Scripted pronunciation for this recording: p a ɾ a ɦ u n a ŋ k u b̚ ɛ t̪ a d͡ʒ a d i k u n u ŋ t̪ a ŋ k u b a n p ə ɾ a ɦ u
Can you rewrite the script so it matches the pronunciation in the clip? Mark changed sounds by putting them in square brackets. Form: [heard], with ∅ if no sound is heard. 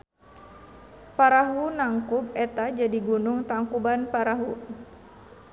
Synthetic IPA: p a ɾ a ɦ u n a ŋ k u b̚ ɛ t̪ a d͡ʒ a d i [ɡ] u n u ŋ t̪ a ŋ k u b a n p [a] ɾ a ɦ u